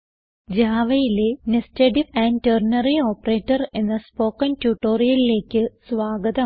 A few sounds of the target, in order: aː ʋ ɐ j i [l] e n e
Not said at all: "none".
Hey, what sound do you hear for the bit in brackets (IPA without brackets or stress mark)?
l